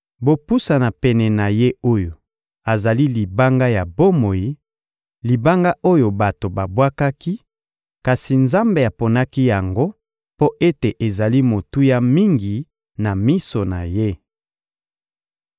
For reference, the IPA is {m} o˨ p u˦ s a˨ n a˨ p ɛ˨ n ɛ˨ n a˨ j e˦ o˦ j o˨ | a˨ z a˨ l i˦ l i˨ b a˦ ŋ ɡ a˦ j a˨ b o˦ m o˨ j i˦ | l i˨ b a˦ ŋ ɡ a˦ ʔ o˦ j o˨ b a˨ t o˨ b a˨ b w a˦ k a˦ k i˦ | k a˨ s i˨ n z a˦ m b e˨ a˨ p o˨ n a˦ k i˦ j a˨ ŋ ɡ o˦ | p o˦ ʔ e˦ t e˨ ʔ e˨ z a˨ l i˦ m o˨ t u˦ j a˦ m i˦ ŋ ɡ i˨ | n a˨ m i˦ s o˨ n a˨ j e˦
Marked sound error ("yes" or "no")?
yes